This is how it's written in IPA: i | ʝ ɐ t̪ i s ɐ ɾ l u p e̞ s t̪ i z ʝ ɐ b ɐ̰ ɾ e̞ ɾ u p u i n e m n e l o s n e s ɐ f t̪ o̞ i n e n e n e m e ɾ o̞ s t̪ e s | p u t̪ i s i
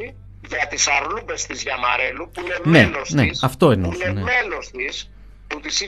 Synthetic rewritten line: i | ʝ ɐ t̪ i s ɐ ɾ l u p e̞ s t̪ i z ʝ ɐ m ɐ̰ ɾ e̞ l u p u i n e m n e l o s n e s ɐ f t̪ o̞ i n e n e n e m e l o̞ s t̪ i s | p u t̪ i s i